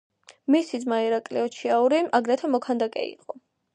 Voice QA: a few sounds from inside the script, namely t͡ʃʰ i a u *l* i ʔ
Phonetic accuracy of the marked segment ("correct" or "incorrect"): incorrect